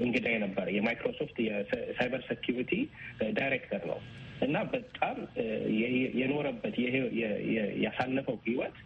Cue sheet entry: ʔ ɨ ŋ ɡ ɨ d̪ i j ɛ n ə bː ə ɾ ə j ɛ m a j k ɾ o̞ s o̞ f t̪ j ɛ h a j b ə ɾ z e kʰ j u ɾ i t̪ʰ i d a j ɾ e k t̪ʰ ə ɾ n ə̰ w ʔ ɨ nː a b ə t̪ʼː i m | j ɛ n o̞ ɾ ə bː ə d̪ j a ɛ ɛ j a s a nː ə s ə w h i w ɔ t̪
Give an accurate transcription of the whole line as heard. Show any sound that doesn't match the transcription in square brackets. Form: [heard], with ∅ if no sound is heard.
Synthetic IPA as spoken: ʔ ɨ ŋ ɡ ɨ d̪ [a] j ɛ n ə bː ə ɾ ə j ɛ m a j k ɾ o̞ s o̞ f t̪ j ɛ [s] a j b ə ɾ [s] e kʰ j u ɾ i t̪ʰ i d a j ɾ e k t̪ʰ ə ɾ n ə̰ w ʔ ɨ nː a b ə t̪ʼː [a] m | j ɛ n o̞ ɾ ə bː ə [t̪] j [ɛ] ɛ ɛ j a s a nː ə [f] ə w h i w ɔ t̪